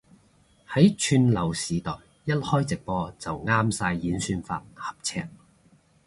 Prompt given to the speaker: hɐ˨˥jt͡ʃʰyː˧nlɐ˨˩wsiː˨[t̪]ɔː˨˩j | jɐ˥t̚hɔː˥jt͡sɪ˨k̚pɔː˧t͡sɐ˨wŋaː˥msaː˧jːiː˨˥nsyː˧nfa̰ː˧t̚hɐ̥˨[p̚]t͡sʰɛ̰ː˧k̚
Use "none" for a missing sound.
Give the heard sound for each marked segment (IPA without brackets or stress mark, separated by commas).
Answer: t̪, p̚